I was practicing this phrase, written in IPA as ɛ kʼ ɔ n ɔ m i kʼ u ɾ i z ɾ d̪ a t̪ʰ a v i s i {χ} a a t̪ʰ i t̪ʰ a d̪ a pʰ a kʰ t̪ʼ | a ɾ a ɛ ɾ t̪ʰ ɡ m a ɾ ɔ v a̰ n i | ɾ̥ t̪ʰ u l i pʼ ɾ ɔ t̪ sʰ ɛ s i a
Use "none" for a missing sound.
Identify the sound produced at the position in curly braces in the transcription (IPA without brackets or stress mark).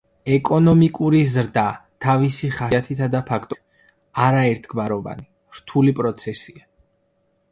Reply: χ